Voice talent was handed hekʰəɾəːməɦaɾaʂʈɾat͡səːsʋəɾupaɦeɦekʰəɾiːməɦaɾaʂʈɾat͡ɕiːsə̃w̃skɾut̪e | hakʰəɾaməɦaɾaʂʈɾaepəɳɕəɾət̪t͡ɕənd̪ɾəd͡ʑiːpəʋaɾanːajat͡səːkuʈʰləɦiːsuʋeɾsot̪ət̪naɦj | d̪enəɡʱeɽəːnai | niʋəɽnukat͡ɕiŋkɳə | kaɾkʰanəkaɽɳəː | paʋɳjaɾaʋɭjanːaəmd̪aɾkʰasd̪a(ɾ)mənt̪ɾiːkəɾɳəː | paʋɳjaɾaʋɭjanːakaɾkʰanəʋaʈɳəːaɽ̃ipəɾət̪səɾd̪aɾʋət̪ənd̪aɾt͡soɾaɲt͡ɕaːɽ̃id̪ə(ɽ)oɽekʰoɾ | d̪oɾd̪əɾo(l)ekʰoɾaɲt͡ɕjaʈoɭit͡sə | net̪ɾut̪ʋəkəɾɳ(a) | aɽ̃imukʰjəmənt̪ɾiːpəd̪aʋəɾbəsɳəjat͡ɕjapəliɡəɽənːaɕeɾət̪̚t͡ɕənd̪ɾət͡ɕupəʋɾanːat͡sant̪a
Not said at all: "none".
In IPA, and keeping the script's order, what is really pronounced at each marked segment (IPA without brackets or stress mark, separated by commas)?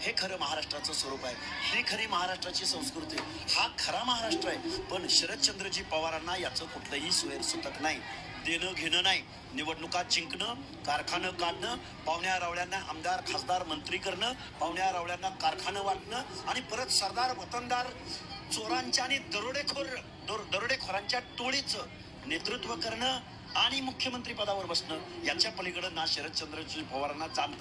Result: ɾ, ɾ, ɽ, ə